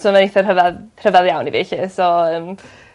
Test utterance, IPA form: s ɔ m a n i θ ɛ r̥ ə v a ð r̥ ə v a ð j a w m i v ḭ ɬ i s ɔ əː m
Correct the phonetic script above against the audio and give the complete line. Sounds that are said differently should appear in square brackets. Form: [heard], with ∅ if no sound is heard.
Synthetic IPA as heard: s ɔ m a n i θ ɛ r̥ ə v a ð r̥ ə v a ð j a w [n] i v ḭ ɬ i s ɔ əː m

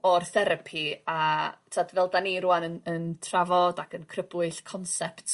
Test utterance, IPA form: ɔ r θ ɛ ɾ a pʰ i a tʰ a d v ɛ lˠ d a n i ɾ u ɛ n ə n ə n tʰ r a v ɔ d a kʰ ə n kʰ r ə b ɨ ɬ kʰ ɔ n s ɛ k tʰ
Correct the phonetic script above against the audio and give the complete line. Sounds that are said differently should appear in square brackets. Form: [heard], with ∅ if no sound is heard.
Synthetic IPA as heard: ɔ r θ ɛ ɾ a pʰ i a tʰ a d v ɛ lˠ d a n i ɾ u [a] n ə n ə n tʰ r a v ɔ d a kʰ ə n kʰ r ə b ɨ ɬ kʰ ɔ n s ɛ [p] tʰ

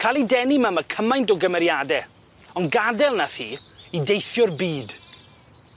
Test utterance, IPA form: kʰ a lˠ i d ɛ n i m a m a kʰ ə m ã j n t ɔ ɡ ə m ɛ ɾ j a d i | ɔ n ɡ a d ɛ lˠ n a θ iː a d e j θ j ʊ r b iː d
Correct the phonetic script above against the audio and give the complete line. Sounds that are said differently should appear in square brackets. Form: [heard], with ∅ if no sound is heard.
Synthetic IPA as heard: kʰ a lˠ i d ɛ n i m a m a kʰ ə m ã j n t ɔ ɡ ə m ɛ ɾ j a d [ɛ] | ɔ n ɡ a d ɛ lˠ n a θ iː [i] d e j θ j ʊ r b iː d

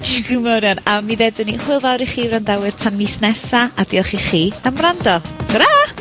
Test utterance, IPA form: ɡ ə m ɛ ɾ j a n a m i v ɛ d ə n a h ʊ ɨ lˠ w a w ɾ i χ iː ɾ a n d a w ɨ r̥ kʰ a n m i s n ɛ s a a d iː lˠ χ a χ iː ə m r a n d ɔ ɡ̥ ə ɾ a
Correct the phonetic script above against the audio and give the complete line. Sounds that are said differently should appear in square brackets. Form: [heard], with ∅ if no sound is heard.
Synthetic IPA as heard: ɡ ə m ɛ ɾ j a n a m i [ð] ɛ d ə n [i] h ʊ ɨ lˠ [v] a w ɾ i χ iː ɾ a n d a w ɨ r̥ [tʰ] a n m i s n ɛ s a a d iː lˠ χ [i] χ iː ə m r a n d ɔ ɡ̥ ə ɾ a

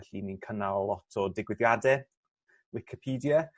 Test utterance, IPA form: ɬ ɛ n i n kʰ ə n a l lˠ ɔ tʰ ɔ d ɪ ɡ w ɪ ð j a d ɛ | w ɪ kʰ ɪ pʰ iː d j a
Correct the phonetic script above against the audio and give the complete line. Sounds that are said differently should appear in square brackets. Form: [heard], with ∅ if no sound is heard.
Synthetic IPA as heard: ɬ [i] n i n kʰ ə n a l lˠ ɔ tʰ ɔ d ɪ ɡ w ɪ ð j a d ɛ | w ɪ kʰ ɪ pʰ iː d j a

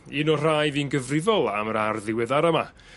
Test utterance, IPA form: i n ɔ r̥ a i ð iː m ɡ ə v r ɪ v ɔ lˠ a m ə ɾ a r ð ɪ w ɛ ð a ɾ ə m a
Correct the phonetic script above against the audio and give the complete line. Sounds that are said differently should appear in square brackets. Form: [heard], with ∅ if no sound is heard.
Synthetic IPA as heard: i n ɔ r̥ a [j] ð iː [n] ɡ ə v r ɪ v ɔ lˠ a m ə ɾ a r ð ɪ w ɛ ð a ɾ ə m a

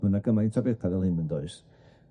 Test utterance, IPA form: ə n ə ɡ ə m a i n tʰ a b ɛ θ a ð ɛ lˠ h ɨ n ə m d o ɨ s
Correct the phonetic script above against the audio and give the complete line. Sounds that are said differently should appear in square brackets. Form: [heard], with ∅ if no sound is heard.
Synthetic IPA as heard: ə n [a] ɡ ə m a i n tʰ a b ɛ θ a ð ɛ lˠ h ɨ n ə [n] d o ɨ s

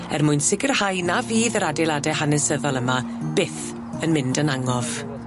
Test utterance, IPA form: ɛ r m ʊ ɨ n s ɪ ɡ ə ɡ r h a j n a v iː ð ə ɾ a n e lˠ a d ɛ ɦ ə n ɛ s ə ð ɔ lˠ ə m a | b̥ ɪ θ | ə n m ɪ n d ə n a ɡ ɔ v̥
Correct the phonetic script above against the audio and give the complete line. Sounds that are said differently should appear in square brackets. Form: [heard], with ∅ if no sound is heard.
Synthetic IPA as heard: ɛ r m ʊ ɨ n s ɪ ɡ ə [∅] r h a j n a v iː ð ə ɾ a [d] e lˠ a d ɛ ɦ [a] n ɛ s ə ð ɔ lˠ ə m a | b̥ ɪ θ | ə n m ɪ n d ə n a [ŋ] ɔ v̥

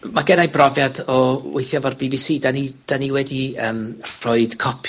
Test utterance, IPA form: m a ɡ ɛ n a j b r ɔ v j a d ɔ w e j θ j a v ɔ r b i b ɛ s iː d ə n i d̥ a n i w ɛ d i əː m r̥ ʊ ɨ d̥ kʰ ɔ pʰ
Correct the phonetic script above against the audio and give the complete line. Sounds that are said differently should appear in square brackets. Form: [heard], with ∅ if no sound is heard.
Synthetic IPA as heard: m a ɡ ɛ n a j b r ɔ v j a d ɔ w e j θ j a v ɔ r b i b [i] s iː d [a] n i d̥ a n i w ɛ d i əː m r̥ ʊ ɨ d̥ kʰ ɔ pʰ

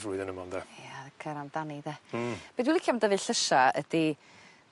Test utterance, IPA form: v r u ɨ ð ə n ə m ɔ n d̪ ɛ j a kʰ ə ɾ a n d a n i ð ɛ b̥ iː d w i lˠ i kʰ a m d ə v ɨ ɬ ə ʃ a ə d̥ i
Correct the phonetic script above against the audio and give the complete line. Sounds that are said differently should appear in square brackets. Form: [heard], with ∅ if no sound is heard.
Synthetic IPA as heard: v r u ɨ ð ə n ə m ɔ n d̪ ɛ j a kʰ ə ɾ a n d a n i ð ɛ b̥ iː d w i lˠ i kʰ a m d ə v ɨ ɬ ə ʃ a ə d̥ i

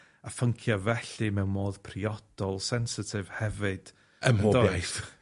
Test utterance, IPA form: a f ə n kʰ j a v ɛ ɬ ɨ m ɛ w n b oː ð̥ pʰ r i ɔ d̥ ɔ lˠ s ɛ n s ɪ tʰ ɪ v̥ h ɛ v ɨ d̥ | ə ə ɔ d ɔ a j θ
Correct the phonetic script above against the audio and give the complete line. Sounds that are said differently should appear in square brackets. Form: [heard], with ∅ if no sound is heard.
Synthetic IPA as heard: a f ə [ŋ] kʰ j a v ɛ ɬ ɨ m ɛ w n [m] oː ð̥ pʰ r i ɔ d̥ ɔ lˠ s ɛ n s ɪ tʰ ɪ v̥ h ɛ v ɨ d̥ | ə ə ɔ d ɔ a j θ

